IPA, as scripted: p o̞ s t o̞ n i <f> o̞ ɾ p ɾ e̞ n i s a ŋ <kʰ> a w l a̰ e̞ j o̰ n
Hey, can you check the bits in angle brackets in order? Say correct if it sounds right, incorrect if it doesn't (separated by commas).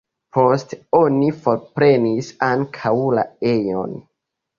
correct, correct